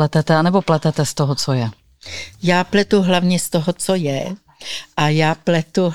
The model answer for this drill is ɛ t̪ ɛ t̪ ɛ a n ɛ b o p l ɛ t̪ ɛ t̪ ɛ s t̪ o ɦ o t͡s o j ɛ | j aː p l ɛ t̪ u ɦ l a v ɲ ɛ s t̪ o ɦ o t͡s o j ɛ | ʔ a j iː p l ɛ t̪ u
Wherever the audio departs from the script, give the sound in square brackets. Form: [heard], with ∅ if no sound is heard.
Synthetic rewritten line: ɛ t̪ ɛ t̪ ɛ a n ɛ b o p l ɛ t̪ ɛ t̪ ɛ s t̪ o ɦ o t͡s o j ɛ | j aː p l ɛ t̪ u ɦ l a v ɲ ɛ s t̪ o ɦ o t͡s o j ɛ | ʔ a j [aː] p l ɛ t̪ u